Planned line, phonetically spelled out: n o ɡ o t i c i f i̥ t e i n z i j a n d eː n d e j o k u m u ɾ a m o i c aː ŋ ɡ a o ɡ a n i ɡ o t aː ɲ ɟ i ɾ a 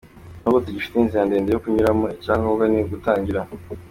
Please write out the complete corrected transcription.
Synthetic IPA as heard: n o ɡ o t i ɟ i f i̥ t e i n z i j a n d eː n d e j o k u ɲ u ɾ a m o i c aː ŋ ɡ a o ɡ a n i ɡ u t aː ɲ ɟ i ɾ a